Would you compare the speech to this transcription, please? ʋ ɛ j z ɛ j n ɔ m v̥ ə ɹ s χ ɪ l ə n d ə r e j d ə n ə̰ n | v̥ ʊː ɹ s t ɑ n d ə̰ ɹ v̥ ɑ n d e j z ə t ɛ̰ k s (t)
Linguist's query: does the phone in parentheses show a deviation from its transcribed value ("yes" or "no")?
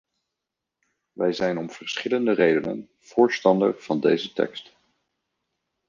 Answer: no